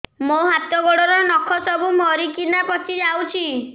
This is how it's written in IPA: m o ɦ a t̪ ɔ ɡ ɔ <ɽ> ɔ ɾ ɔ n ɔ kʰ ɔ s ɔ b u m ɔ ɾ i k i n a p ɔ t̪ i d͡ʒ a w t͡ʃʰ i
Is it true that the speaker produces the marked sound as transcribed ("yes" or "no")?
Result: yes